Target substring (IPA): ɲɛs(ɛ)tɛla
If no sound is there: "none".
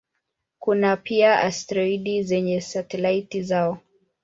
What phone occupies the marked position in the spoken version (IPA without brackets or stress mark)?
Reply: a